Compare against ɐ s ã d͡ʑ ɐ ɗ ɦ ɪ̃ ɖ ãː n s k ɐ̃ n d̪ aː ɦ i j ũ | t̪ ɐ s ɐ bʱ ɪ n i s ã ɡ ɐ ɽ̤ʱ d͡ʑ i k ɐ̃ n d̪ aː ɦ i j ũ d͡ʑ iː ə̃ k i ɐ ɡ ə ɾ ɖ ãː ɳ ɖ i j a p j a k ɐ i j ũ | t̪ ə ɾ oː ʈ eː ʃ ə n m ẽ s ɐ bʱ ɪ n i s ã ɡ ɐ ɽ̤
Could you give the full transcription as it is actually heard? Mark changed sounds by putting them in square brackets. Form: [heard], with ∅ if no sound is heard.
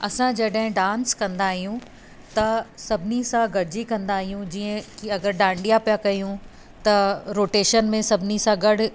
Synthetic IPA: ɐ s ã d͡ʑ ɐ ɗ ɦ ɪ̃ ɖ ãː n s k ɐ̃ n d̪ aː ɦ i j ũ | t̪ ɐ s ɐ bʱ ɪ n i s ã ɡ ɐ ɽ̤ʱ d͡ʑ i k ɐ̃ n d̪ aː ɦ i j ũ d͡ʑ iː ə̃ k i ɐ ɡ ə ɾ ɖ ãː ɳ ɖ i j a p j a k ɐ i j ũ | t̪ [ɐ] ɾ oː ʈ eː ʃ ə n m ẽ s ɐ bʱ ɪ n i s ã ɡ ɐ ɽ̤

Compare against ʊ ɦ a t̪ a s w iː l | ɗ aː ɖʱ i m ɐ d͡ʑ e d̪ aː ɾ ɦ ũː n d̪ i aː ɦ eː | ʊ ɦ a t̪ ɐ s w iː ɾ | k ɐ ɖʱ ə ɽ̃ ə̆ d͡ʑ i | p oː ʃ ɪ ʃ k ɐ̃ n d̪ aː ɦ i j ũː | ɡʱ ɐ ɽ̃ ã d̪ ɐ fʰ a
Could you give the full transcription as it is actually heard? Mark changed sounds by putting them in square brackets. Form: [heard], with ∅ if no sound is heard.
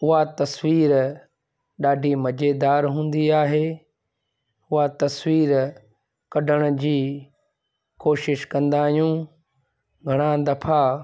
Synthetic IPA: ʊ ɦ a t̪ [ɐ] s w iː [ɾ] | ɗ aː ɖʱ i m ɐ d͡ʑ e d̪ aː ɾ ɦ ũː n d̪ i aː ɦ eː | ʊ ɦ a t̪ ɐ s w iː ɾ | k ɐ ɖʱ ə ɽ̃ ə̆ d͡ʑ [iː] | [k] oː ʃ ɪ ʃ k ɐ̃ n d̪ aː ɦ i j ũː | ɡʱ ɐ ɽ̃ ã d̪ ɐ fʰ a

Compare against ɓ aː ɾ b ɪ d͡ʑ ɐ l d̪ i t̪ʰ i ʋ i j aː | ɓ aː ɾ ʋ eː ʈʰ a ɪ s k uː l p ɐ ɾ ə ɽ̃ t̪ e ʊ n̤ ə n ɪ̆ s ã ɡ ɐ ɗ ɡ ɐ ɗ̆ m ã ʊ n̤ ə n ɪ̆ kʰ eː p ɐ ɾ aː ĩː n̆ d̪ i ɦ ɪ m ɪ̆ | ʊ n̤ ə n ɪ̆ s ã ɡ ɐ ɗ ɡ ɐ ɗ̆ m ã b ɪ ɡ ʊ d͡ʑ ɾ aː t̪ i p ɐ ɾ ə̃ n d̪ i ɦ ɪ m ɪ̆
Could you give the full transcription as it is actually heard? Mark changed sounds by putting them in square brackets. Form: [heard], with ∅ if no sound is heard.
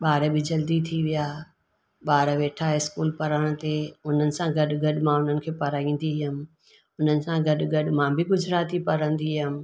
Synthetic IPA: ɓ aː ɾ b ɪ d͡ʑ ɐ l d̪ i t̪ʰ i ʋ i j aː | ɓ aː ɾ ʋ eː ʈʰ a ɪ s k uː l p ɐ ɾ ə ɽ̃ t̪ e ʊ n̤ ə n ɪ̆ s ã ɡ ɐ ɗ ɡ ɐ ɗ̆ m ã ʊ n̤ ə n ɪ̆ kʰ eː p ɐ ɾ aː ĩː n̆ d̪ i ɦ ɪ m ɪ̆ | ʊ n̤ ə n ɪ̆ s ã ɡ ɐ ɗ ɡ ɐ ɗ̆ m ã b ɪ ɡ ʊ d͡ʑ ɾ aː t̪ i p ɐ ɾ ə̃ n d̪ i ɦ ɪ m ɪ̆

